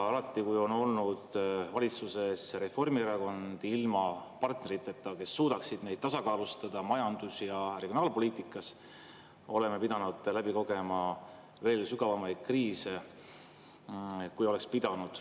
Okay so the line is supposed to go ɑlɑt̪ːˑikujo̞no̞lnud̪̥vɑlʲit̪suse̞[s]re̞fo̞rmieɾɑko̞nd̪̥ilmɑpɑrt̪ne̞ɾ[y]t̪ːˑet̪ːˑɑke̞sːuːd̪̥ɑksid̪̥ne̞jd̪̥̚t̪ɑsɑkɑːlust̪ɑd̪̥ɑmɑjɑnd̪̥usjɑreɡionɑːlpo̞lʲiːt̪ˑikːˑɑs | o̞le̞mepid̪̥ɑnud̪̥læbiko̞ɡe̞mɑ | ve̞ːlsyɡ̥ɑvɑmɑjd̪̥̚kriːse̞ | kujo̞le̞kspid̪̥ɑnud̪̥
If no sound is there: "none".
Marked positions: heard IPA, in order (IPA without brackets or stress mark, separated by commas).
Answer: s, i